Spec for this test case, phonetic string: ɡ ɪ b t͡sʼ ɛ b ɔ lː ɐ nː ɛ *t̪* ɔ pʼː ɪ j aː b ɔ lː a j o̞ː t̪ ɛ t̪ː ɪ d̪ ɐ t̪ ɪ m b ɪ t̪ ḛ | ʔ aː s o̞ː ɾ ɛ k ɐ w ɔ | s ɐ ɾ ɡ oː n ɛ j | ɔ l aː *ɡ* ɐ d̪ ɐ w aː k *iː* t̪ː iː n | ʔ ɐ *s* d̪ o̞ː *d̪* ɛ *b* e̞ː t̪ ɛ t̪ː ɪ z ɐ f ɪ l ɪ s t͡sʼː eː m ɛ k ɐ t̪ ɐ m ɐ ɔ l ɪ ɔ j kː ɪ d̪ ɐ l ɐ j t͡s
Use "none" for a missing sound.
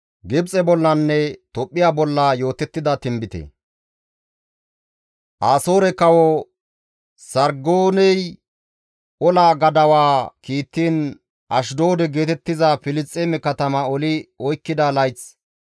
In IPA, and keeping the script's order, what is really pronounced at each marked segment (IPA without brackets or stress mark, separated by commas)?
t̪, ɡ, iː, ʃ, d̪, ɡ